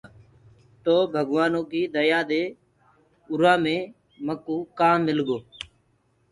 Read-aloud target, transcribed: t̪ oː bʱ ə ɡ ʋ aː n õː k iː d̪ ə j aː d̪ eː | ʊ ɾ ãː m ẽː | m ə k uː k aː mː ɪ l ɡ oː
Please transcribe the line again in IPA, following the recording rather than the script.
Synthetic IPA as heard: t̪ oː bʱ ə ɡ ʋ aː n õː k iː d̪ ə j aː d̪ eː | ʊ ɾ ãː m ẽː | m ə k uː k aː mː ɪ l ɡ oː